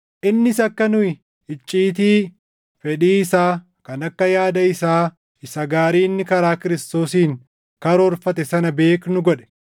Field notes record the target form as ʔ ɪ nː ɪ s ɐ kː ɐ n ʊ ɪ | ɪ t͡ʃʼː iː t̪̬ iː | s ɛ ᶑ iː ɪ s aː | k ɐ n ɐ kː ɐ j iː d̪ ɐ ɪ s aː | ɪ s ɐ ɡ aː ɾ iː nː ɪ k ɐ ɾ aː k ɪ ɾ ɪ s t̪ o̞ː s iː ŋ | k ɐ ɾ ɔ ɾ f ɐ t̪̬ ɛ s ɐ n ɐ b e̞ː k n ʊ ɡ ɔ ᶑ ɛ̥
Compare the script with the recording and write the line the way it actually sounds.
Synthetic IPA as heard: ʔ ɪ nː ɪ s ɐ kː ɐ n ʊ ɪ | ɪ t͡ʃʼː iː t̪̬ iː | f ɛ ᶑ iː ɪ s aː | k ɐ n ɐ kː ɐ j aː d̪ ɐ ɪ s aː | ɪ s ɐ ɡ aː ɾ iː nː ɪ k ɐ ɾ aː k ɪ ɾ ɪ s t̪ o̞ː s iː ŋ | k ɐ ɾ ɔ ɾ f ɐ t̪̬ ɛ s ɐ n ɐ b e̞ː k n ʊ ɡ ɔ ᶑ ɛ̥

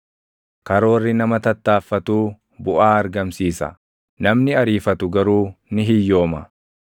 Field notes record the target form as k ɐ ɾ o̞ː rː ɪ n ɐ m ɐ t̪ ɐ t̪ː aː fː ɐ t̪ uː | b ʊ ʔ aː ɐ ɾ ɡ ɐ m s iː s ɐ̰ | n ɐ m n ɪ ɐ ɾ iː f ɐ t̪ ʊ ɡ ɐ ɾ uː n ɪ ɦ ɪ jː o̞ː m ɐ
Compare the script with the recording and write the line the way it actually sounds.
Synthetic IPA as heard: k ɐ ɾ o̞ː rː ɪ n ɐ m ɐ t̪ ɐ t̪ː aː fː ɐ t̪ uː | b ʊ ʔ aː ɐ ɾ ɡ ɐ m s iː s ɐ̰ | n ɐ m n ɪ ɐ ɾ iː f ɐ t̪ ʊ ɡ ɐ ɾ uː n ɪ ɦ ɪ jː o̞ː m ɐ

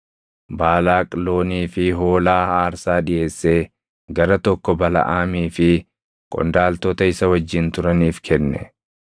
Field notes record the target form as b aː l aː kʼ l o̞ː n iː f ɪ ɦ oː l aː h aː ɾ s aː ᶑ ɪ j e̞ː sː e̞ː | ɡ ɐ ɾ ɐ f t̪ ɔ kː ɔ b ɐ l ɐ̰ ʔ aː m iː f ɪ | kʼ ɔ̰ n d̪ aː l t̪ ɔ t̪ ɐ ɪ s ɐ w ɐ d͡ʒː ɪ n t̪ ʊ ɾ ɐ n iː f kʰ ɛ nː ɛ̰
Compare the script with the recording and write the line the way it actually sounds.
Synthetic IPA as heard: b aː l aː kʼ l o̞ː n iː f ɪ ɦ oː l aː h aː ɾ s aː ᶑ ɪ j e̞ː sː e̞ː | ɡ ɐ ɾ ɐ t̪ ɔ kː ɔ b ɐ l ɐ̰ ʔ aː m iː f ɪ | kʼ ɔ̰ n d̪ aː l t̪ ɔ t̪ ɐ ɪ s ɐ w ɐ d͡ʒː ɪ n t̪ ʊ ɾ ɐ n iː f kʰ ɛ nː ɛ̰

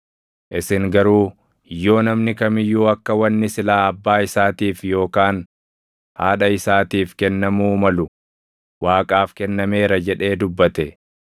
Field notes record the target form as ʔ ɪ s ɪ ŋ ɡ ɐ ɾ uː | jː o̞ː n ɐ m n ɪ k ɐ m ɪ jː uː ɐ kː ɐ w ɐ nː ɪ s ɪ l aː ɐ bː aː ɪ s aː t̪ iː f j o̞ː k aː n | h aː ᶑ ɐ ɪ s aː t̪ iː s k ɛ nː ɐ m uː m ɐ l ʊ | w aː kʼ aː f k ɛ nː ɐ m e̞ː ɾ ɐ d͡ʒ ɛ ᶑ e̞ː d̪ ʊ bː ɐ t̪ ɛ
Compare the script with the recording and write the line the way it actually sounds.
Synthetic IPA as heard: ʔ ɪ s ɪ ŋ ɡ ɐ ɾ uː | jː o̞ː n ɐ m n ɪ k ɐ m ɪ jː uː ɐ kː ɐ w ɐ nː ɪ s ɪ l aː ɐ bː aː ɪ s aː t̪ iː f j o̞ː k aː n | h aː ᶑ ɐ ɪ s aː t̪ iː f k ɛ nː ɐ m uː m ɐ l ʊ | w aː kʼ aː f k ɛ nː ɐ m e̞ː ɾ ɐ d͡ʒ ɛ ᶑ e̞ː d̪ ʊ bː ɐ t̪ ɛ

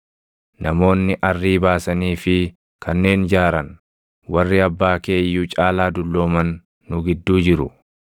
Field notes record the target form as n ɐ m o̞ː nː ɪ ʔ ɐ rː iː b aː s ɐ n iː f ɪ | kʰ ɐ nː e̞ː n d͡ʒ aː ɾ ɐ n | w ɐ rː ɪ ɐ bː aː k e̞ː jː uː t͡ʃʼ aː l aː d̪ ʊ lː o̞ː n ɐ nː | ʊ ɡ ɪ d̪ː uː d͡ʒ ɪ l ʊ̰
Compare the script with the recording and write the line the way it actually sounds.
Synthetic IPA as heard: n ɐ m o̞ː nː ɪ ʔ ɐ rː iː b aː s ɐ n iː f ɪ | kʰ ɐ nː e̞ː n d͡ʒ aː ɾ ɐ n | w ɐ rː ɪ ɐ bː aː k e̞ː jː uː t͡ʃʼ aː l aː d̪ ʊ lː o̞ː m ɐ nː | ʊ ɡ ɪ d̪ː uː d͡ʒ ɪ ɾ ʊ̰

